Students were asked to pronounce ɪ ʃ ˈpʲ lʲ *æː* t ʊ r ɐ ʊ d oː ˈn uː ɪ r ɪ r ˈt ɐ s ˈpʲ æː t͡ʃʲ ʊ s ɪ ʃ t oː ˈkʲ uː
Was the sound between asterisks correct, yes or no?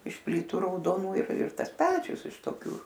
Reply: no